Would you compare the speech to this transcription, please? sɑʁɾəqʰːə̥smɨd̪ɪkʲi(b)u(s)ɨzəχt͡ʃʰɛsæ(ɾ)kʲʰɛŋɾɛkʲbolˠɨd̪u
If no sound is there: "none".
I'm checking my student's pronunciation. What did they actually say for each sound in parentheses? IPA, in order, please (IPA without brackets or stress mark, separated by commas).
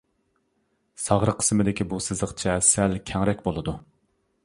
b, s, l